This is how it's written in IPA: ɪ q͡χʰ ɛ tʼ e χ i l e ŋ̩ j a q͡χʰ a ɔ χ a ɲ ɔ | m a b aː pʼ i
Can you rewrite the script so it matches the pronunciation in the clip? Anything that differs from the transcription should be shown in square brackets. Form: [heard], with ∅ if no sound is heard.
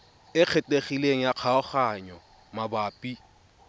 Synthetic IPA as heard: ɪ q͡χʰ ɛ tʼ e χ i l e ŋ̩ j a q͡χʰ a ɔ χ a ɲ ɔ | m a b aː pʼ i

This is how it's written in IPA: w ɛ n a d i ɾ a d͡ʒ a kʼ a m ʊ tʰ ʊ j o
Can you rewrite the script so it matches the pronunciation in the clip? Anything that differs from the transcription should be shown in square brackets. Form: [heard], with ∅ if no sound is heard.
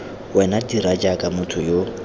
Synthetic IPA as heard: w ɛ n a d i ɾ a d͡ʒ a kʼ a m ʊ tʰ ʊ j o

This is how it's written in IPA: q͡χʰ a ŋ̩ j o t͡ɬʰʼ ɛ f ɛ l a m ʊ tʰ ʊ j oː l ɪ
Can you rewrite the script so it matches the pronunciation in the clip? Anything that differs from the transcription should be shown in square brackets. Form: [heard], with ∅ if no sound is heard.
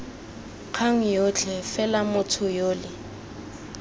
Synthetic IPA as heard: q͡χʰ a ŋ̩ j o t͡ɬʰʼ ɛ f ɛ l a m ʊ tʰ ʊ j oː l ɪ

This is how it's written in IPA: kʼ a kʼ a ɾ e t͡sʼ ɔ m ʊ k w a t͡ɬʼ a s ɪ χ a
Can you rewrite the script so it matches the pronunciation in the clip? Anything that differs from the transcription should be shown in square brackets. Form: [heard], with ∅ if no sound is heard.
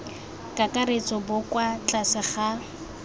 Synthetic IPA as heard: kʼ a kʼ a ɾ e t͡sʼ ɔ [b] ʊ k w a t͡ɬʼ a s ɪ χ a

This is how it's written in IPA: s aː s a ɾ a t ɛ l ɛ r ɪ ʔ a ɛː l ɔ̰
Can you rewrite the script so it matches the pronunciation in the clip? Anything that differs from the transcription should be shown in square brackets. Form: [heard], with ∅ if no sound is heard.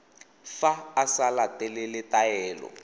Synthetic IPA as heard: [f] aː s a [l] a t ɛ l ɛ [l] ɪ [t] a ɛː l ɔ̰

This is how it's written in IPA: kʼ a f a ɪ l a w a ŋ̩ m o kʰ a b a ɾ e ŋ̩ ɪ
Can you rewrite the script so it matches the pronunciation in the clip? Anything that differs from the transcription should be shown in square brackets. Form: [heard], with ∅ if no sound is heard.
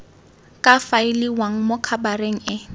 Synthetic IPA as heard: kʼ a f a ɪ l [i] w a ŋ̩ m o kʰ a b a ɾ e ŋ̩ ɪ

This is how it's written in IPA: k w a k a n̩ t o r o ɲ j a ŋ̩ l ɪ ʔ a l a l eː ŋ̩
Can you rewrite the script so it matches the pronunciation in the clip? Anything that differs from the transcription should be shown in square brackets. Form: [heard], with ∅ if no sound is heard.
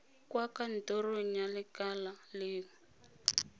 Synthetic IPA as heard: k w a k a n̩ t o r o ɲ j a [∅] l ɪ [k] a l a l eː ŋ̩

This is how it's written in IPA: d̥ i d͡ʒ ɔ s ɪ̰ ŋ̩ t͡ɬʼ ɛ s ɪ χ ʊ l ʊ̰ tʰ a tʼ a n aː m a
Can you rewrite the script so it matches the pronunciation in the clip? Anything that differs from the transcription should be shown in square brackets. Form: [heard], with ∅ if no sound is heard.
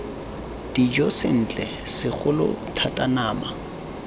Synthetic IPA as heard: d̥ i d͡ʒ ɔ s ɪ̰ [n̩] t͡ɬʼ ɛ s ɪ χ ʊ l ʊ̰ tʰ a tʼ a n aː m a

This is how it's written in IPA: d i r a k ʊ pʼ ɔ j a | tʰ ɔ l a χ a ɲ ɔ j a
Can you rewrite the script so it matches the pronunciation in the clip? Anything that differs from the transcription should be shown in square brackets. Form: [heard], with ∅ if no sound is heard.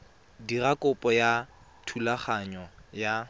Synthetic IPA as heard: d i r a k ʊ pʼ ɔ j a | tʰ [u] l a χ a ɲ ɔ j a

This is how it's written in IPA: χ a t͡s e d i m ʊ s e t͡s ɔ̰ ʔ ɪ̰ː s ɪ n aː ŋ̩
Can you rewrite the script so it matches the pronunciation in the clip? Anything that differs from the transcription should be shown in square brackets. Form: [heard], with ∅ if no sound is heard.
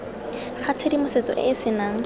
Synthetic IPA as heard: χ a [t͡sʰ] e d i m ʊ s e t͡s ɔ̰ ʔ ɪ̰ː s ɪ n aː ŋ̩

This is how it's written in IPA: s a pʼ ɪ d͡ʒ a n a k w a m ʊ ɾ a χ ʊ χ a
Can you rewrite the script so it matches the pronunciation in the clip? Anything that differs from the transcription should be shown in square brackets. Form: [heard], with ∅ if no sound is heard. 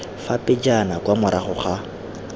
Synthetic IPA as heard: [f] a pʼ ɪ d͡ʒ a n a k w a m ʊ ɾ a χ ʊ χ a

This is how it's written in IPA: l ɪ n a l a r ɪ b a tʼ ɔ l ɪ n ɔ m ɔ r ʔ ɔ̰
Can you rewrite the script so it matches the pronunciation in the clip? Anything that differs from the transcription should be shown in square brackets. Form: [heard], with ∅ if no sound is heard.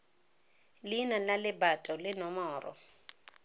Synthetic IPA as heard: l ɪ n a l a [l] ɪ b a tʼ ɔ l ɪ n ɔ m [ɔː] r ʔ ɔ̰

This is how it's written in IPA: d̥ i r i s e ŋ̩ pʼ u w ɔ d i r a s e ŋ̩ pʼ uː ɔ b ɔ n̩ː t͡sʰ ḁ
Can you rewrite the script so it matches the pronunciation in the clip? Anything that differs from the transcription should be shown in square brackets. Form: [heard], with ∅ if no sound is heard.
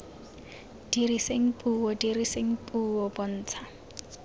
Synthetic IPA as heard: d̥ i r i s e ŋ̩ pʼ u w ɔ d i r [i] s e ŋ̩ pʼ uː ɔ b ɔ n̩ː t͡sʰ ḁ

